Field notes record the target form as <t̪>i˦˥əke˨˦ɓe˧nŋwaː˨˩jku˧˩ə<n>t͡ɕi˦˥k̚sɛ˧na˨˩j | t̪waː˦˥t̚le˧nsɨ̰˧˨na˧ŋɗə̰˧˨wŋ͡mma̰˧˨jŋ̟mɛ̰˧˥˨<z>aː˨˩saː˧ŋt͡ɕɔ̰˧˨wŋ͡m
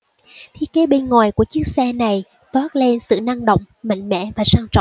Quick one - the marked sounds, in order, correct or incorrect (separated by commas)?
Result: incorrect, incorrect, incorrect